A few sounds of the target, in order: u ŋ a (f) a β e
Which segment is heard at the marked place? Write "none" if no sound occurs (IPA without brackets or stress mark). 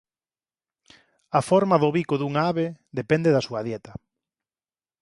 none